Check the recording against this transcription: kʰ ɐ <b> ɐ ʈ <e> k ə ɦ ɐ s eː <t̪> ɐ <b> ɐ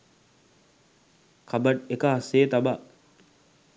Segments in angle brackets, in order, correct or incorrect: correct, correct, correct, correct

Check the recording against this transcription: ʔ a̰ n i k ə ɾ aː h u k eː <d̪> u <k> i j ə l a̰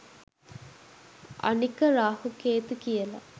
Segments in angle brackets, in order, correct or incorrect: incorrect: t̪, correct

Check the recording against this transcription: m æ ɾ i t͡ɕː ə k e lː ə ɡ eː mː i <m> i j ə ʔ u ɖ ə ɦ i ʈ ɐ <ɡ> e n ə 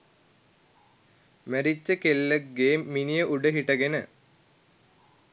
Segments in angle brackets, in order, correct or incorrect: incorrect: n, correct

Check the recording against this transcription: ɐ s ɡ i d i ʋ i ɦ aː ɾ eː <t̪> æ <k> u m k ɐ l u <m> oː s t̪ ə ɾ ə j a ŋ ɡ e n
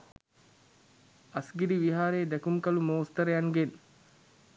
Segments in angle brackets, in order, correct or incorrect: incorrect: d̪, correct, correct

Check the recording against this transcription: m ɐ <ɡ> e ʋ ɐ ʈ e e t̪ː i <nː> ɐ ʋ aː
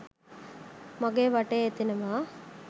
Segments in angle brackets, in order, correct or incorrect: correct, incorrect: n

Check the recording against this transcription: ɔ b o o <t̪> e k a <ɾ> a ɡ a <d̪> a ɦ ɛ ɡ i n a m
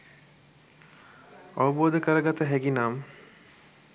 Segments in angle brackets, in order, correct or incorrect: incorrect: d̪, correct, incorrect: t̪

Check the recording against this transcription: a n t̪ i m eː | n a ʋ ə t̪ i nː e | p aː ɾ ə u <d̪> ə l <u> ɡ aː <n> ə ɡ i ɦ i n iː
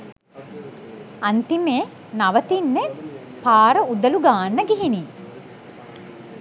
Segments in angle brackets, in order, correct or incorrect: correct, correct, incorrect: nː

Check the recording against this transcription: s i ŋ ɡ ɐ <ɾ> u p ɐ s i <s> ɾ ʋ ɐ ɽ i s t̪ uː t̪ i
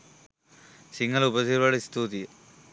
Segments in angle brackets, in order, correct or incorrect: incorrect: l, incorrect: none

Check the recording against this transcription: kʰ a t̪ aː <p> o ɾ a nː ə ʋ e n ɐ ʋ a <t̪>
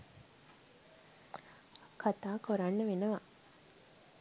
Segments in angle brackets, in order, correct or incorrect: incorrect: k, incorrect: none

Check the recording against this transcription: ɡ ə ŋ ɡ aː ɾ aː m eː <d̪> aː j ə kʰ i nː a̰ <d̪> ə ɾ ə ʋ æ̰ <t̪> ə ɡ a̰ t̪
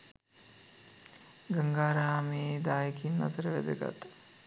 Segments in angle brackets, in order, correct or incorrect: correct, incorrect: t̪, incorrect: d̪

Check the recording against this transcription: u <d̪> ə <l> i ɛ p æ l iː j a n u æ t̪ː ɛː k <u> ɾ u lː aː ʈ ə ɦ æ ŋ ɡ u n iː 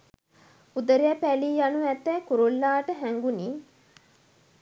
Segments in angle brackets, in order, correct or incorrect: correct, incorrect: ɾ, correct

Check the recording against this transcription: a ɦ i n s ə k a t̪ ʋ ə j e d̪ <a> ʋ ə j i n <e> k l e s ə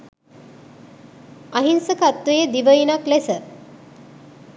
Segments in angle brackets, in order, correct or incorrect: incorrect: i, incorrect: a

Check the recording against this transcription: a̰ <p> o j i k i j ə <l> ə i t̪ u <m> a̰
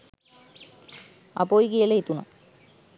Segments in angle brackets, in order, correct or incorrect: correct, correct, incorrect: n

